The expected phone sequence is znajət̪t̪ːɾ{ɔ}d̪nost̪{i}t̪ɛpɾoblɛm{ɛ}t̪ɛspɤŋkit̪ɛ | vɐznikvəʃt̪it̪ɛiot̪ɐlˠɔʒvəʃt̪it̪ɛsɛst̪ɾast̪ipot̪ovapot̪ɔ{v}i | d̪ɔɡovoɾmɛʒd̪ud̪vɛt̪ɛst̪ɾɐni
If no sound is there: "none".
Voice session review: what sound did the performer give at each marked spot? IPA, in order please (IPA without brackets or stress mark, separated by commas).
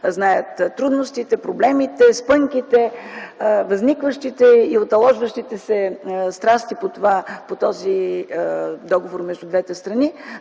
u, i, i, z